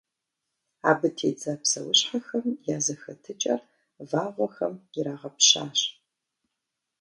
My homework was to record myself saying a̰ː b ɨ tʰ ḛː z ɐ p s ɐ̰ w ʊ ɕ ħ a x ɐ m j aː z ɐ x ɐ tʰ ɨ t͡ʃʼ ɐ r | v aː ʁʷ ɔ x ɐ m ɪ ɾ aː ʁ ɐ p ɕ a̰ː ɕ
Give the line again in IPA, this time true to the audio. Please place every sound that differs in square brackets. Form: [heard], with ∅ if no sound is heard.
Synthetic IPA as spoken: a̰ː b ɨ tʰ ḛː [d͡z] ɐ p s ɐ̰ w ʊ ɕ ħ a x ɐ m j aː z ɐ x ɐ tʰ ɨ t͡ʃʼ ɐ r | v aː ʁʷ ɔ x ɐ m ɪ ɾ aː ʁ ɐ p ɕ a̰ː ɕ